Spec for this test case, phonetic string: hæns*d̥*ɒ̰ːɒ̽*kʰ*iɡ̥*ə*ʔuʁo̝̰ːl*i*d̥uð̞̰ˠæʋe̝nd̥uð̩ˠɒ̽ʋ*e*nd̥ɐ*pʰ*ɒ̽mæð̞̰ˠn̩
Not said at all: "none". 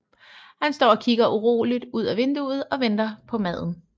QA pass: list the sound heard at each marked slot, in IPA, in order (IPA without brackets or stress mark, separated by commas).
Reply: d̥, kʰ, ɐ, i, e, pʰ